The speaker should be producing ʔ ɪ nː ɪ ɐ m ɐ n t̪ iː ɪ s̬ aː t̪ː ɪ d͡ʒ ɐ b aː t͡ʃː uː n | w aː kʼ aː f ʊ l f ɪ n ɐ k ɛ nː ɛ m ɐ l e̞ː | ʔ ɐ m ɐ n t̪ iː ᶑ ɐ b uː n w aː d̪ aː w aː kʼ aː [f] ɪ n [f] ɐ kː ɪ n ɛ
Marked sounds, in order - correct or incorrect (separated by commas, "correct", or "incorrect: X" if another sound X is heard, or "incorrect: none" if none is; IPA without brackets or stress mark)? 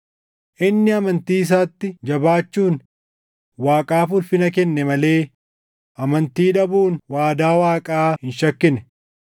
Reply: incorrect: h, incorrect: ʃ